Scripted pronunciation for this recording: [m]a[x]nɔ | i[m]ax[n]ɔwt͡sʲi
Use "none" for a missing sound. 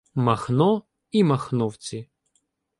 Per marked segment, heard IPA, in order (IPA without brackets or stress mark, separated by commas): m, x, m, n